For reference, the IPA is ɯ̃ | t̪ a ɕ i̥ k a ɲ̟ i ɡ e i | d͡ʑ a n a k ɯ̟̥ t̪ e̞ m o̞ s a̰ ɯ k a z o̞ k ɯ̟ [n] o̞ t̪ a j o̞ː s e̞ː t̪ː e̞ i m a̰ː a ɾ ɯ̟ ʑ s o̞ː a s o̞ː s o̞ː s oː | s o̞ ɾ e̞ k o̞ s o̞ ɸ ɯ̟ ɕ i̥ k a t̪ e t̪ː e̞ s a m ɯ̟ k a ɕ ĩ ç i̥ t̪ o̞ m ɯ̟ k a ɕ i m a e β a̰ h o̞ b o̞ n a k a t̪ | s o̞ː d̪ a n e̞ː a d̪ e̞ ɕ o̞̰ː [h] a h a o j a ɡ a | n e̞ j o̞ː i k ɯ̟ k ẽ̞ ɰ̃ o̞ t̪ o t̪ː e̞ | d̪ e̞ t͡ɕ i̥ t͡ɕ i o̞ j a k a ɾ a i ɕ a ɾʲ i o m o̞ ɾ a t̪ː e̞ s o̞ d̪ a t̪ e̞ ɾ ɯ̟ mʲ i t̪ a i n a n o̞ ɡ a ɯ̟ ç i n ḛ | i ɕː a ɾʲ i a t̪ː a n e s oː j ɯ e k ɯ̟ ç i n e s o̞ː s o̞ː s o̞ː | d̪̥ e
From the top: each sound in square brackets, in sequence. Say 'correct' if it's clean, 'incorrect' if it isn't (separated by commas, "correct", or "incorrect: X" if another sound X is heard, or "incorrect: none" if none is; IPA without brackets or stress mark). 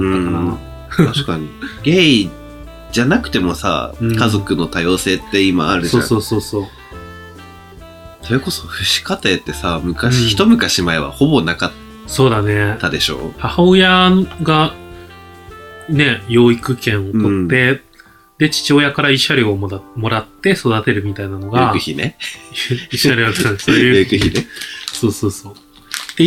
correct, correct